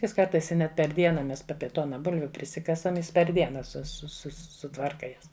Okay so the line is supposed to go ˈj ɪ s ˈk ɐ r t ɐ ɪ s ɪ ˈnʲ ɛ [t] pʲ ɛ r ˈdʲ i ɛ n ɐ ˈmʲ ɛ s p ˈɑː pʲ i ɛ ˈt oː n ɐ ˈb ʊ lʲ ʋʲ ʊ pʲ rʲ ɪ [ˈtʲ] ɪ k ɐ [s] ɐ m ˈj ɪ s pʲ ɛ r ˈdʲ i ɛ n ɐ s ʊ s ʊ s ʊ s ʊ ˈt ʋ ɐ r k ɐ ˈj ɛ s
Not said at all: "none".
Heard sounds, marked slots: t, sʲ, s

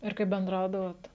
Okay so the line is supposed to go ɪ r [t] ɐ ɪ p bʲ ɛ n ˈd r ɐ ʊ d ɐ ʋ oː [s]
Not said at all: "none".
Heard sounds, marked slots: k, t

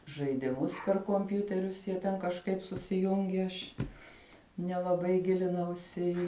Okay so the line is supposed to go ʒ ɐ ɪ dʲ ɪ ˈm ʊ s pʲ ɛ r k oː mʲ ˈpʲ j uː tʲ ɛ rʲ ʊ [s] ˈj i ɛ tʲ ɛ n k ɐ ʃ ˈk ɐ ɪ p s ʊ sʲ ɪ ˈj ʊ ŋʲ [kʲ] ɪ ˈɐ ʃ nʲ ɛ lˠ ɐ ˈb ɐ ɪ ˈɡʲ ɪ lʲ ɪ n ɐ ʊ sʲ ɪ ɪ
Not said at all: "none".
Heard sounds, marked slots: s, ɡʲ

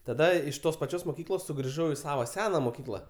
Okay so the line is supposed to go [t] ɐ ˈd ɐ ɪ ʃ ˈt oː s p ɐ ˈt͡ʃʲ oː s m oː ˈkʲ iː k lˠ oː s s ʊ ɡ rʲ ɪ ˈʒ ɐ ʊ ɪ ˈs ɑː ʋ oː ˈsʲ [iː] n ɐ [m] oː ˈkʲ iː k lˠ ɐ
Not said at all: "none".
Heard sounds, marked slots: t, æː, m

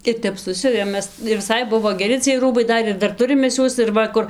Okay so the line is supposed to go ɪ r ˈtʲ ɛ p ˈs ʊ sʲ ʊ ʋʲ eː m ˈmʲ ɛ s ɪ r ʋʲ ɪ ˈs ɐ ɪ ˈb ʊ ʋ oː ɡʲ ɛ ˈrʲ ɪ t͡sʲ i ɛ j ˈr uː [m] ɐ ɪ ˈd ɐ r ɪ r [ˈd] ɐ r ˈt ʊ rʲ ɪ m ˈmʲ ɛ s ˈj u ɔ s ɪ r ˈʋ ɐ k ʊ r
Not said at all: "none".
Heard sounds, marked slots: b, d

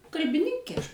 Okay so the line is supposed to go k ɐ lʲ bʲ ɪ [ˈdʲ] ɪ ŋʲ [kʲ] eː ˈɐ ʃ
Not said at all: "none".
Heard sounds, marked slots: nʲ, kʲ

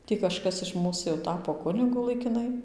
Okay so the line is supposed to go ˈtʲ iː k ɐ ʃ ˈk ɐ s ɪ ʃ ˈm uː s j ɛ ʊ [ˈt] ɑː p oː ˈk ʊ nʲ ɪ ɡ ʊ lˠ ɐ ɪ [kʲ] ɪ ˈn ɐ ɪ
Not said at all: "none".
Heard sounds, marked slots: t, kʲ

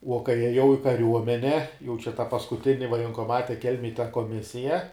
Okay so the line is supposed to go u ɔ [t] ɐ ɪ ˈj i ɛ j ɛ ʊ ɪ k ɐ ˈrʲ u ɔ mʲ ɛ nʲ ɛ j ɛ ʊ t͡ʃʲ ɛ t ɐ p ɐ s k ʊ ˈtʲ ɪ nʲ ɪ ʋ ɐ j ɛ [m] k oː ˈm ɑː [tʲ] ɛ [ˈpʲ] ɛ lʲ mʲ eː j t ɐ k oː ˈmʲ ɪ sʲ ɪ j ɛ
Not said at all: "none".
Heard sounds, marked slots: k, ŋ, tʲ, kʲ

